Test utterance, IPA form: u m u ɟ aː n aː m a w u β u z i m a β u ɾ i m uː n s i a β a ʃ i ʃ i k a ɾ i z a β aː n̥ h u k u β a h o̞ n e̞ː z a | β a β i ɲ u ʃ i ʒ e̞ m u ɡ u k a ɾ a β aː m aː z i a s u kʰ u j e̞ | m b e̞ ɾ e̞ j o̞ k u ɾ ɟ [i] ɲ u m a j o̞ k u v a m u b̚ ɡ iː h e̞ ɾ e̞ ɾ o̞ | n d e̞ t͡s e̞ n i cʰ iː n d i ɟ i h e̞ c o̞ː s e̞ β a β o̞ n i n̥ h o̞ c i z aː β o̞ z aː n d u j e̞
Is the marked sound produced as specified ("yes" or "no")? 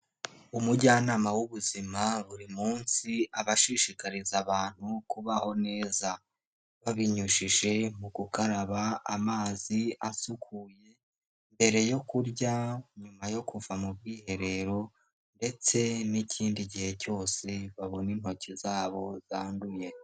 no